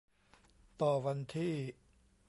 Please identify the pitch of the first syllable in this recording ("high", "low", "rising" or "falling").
low